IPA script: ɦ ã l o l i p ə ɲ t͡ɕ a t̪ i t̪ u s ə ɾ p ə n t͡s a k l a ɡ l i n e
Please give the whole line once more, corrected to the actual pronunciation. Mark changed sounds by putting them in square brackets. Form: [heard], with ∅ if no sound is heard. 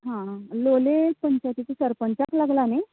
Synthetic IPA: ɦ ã l o l [e] p ə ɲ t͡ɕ a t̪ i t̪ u s ə ɾ p ə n t͡s a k l a ɡ l [a] n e